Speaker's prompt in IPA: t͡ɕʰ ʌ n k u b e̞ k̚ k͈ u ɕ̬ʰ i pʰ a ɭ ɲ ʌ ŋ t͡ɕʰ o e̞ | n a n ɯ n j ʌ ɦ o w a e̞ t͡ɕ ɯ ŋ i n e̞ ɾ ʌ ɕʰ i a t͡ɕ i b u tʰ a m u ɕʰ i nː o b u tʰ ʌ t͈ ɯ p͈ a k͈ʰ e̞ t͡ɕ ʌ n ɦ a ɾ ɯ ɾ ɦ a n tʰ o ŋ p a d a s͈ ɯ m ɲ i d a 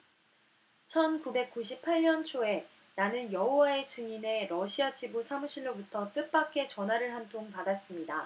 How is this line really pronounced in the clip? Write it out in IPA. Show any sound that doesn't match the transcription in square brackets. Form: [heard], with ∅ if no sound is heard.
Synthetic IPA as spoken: t͡ɕʰ ʌ n k u b e̞ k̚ k͈ u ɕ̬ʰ i pʰ a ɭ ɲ ʌ [n] t͡ɕʰ o e̞ | n a n ɯ n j ʌ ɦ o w a e̞ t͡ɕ ɯ ŋ i n e̞ ɾ ʌ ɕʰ i a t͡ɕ i b u [sʰ] a m u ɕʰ i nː o b u tʰ ʌ t͈ ɯ p͈ a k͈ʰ e̞ t͡ɕ ʌ n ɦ a ɾ ɯ [ɭ] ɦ a n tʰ o ŋ p a d a s͈ ɯ m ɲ i d a